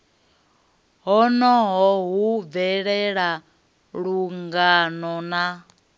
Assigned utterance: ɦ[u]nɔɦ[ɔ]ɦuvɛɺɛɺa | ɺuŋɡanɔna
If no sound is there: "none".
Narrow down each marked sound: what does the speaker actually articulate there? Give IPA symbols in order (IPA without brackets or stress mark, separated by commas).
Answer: ɔ, ɔ